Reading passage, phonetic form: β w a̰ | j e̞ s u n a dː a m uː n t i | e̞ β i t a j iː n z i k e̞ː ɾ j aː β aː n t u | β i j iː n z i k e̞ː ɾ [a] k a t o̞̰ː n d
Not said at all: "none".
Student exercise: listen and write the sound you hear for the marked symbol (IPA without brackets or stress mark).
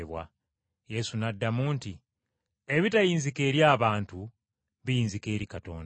i